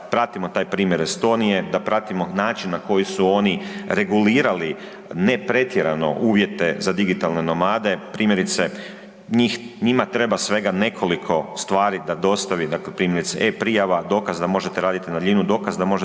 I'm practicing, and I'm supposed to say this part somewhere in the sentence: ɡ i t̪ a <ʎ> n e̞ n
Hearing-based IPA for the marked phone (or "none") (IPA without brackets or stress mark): l